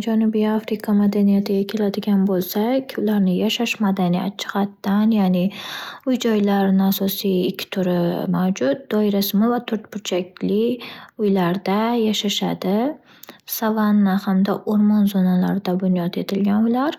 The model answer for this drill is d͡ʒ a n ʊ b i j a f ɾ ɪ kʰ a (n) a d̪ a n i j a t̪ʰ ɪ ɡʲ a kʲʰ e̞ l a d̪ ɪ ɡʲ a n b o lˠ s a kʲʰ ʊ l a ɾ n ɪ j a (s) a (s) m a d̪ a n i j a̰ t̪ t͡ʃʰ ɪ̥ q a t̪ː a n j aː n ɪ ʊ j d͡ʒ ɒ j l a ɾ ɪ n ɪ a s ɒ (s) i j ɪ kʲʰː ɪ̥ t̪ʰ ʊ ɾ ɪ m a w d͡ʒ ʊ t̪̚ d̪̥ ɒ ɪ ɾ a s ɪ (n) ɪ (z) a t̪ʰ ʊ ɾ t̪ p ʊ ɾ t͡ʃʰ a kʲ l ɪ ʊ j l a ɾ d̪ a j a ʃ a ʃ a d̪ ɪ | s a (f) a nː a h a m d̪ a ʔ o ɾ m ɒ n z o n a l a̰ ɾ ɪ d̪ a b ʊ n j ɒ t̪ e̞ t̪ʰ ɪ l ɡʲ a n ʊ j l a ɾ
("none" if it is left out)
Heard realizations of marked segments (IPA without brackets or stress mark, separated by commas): m, ʃ, ʃ, s, m, v, v